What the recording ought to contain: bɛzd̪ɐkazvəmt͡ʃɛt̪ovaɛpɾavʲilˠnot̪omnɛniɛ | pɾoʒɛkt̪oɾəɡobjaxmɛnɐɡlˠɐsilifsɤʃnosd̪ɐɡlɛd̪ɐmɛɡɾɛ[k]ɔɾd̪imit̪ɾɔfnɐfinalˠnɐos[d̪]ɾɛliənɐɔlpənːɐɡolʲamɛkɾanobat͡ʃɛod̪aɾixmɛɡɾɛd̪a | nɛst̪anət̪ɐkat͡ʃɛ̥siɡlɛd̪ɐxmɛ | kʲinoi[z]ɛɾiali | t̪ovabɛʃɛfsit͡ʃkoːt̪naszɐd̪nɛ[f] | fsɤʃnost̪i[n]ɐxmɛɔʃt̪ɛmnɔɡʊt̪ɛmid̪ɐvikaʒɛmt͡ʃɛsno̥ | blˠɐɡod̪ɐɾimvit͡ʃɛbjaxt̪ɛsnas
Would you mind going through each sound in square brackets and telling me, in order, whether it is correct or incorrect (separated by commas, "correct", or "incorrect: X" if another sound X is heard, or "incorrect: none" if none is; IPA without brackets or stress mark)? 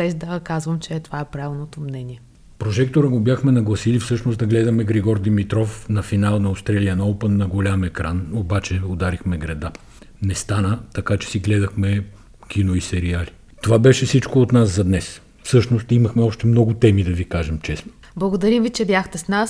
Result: incorrect: ɡ, incorrect: t̪, incorrect: s, incorrect: s, incorrect: m